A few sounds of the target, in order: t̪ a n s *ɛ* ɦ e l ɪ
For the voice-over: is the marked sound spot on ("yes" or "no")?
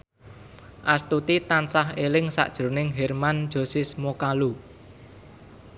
no